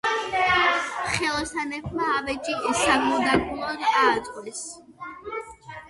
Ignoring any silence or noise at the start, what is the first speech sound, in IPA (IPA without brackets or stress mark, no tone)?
χ